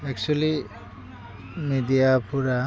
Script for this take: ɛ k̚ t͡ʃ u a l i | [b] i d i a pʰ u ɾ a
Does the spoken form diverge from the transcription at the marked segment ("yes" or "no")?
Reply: yes